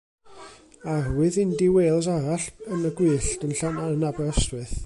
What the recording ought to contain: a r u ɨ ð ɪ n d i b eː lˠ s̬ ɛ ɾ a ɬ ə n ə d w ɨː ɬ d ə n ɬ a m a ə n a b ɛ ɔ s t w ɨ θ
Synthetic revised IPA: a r w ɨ ð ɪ n d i w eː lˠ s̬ a ɾ a ɬ ə n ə ɡ w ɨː ɬ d ə n ɬ a n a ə n a b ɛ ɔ s t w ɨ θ